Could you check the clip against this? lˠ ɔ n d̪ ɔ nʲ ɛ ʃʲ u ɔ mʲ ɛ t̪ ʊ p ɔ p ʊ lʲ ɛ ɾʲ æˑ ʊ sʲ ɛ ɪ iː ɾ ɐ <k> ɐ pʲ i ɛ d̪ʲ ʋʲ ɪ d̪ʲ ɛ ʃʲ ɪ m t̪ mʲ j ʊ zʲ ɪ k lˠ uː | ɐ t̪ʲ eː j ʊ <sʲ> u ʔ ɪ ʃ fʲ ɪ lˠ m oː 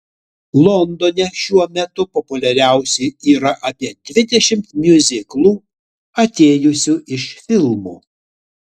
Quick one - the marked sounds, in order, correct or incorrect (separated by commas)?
incorrect, correct